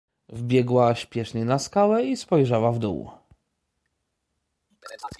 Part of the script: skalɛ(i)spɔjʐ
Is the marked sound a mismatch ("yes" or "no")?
no